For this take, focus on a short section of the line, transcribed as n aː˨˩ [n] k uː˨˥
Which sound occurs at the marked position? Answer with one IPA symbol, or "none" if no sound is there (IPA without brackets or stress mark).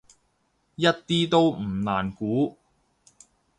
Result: n